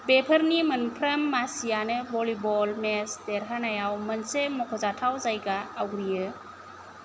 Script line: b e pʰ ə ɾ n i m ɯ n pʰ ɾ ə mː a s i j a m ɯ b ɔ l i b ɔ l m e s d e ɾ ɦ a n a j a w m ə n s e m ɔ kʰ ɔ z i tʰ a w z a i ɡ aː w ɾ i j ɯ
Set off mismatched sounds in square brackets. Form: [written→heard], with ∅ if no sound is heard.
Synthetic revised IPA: b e pʰ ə ɾ n i m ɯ n pʰ ɾ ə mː a s i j a [m→n] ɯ b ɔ l i b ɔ l m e s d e ɾ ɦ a n a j a w m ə n s e m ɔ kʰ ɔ z [i→a] tʰ a w z a [i→j] ɡ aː w ɾ i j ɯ